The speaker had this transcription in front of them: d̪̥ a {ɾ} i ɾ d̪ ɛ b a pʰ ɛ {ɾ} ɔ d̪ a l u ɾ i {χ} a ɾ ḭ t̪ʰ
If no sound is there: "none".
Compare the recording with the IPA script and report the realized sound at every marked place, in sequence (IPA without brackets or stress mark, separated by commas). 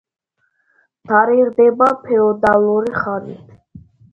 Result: ɾ, none, χ